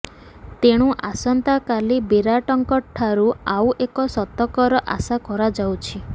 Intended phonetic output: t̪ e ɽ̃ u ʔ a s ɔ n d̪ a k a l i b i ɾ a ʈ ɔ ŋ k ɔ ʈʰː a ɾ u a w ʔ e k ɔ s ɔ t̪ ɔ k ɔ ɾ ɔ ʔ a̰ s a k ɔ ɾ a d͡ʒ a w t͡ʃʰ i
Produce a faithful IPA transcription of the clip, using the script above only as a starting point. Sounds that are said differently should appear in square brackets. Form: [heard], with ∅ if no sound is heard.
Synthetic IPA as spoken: t̪ e ɽ̃ u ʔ a s ɔ n [t̪] a k a l i b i ɾ a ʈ ɔ ŋ k ɔ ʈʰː a ɾ u a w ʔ e k ɔ s ɔ t̪ ɔ k ɔ ɾ ɔ ʔ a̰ s a k ɔ ɾ a d͡ʒ a w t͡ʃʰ i